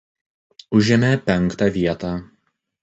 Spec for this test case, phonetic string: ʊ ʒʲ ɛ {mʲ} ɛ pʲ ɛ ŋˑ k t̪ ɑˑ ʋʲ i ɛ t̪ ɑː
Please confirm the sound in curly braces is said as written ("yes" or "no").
yes